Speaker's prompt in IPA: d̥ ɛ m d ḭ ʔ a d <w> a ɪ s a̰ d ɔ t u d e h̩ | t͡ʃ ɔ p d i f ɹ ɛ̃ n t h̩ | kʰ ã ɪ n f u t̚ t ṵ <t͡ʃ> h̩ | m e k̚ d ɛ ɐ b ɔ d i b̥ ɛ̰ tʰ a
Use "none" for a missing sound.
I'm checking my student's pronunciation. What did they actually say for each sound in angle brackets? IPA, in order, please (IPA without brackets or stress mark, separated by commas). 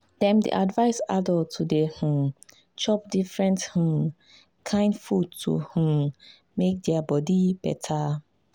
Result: v, none